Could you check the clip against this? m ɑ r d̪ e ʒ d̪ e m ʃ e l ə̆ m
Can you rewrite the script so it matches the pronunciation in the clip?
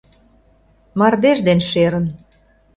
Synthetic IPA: m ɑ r d̪ e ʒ d̪ e n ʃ e ɾ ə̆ n